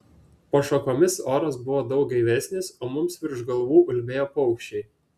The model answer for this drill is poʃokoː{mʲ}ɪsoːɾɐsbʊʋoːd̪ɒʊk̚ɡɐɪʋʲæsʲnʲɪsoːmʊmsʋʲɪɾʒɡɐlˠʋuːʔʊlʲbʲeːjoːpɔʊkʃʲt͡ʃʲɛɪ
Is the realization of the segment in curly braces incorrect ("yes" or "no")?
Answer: no